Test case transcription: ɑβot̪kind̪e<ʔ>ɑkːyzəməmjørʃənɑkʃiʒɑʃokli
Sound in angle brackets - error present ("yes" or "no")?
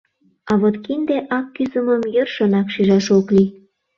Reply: no